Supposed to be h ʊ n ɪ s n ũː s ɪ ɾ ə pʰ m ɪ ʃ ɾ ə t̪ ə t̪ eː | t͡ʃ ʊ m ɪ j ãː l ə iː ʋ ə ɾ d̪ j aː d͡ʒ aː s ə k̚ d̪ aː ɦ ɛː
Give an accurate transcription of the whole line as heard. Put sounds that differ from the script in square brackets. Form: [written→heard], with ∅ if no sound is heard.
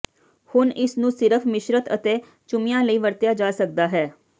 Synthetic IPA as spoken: h ʊ n ɪ s n ũː s ɪ ɾ ə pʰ m ɪ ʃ ɾ ə t̪ ə t̪ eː | t͡ʃ ʊ m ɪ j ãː l ə iː ʋ ə ɾ [d̪→t̪] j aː d͡ʒ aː s ə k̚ d̪ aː ɦ ɛː